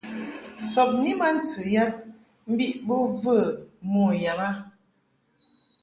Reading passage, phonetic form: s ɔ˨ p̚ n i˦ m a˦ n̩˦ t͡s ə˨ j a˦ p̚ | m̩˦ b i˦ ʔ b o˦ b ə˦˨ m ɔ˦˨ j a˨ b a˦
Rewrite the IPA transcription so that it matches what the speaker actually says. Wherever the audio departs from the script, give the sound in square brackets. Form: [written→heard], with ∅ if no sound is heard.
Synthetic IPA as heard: s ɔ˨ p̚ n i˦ m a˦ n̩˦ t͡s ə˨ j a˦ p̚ | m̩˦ b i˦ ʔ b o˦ [b→v] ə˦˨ m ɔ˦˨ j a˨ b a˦